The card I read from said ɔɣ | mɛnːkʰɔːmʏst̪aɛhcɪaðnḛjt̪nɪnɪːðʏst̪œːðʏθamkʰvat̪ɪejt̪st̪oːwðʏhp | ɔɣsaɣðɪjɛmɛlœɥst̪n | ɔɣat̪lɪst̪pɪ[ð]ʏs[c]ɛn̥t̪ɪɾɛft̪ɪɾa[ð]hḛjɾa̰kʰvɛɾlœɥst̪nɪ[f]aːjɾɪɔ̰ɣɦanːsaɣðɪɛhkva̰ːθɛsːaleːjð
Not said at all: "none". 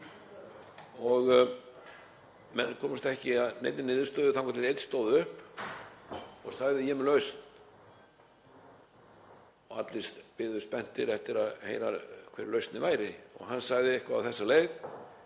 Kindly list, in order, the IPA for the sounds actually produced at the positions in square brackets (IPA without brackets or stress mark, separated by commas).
ð, p, ð, v